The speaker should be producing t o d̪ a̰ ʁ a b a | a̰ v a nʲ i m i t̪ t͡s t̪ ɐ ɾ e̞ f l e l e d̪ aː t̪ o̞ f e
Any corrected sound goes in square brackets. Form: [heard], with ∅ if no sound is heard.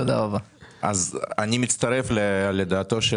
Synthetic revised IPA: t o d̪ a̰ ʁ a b a | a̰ [z] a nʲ i m i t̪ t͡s t̪ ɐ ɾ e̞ f l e l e d̪ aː t̪ o̞ [ʃ] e